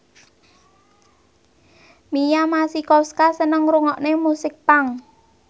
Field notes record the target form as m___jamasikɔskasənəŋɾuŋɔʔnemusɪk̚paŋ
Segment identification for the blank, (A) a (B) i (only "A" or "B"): B